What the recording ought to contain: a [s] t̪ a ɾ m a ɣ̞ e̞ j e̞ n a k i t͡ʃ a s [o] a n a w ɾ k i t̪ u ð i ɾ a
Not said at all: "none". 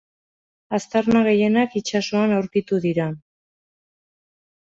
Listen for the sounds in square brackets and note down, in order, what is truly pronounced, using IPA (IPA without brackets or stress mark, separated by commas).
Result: s, o